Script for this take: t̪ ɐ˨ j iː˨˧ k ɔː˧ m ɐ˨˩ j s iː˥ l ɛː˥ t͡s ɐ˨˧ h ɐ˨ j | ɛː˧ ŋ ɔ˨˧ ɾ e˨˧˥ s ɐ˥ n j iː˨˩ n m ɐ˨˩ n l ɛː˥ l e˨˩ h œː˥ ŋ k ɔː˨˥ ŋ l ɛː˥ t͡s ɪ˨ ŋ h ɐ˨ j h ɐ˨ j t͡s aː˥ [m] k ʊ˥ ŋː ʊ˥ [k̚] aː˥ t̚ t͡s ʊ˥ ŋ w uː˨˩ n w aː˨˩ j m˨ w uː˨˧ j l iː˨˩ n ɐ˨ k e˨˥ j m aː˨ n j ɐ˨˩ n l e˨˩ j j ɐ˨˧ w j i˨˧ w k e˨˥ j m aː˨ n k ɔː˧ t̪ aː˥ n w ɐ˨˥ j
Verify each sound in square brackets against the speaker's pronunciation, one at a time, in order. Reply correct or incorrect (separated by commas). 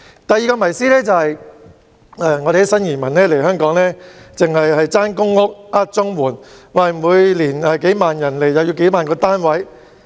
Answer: incorrect, correct